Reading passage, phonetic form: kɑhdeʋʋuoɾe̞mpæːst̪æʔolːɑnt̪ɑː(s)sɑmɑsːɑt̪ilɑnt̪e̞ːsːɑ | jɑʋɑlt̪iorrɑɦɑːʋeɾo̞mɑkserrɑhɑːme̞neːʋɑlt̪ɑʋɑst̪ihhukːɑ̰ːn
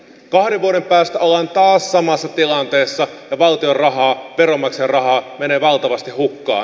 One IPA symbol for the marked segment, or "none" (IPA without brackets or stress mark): s